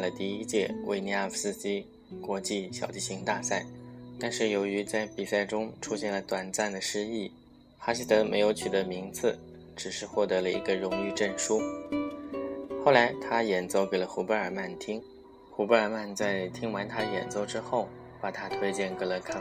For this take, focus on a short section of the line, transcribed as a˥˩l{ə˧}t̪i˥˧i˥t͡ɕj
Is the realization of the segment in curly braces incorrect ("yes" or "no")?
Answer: yes